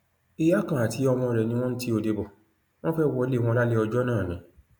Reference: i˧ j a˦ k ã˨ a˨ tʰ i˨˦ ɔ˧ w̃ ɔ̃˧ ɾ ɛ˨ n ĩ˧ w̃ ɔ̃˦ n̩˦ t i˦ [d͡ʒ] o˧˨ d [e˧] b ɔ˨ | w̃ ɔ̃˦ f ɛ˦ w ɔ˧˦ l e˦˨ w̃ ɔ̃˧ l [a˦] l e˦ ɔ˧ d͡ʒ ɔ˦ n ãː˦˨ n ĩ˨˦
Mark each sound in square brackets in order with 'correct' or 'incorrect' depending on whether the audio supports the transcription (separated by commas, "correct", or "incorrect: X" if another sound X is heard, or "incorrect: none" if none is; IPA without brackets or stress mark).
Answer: incorrect: none, correct, correct